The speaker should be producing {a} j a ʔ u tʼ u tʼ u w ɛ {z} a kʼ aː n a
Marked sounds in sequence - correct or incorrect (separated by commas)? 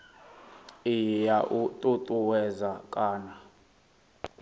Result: incorrect, correct